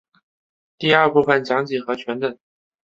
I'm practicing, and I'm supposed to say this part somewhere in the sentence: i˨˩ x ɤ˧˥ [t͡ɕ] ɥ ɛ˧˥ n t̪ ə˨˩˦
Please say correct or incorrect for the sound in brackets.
incorrect